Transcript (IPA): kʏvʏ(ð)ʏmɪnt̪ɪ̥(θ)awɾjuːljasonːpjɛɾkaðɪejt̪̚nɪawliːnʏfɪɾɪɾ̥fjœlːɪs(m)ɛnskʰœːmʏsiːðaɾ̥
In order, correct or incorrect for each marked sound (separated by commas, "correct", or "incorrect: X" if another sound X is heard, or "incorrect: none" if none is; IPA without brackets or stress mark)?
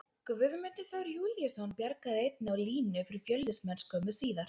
correct, correct, correct